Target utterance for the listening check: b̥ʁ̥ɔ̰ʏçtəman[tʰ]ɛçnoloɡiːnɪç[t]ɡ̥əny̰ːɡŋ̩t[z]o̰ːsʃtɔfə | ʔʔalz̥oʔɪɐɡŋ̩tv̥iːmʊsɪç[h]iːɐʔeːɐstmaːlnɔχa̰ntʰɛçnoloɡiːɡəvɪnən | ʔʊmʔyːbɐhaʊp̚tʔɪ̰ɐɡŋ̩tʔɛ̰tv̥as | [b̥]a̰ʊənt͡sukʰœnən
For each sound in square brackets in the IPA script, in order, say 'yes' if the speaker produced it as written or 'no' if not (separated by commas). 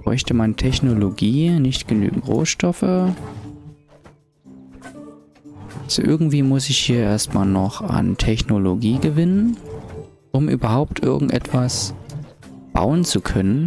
yes, yes, no, yes, yes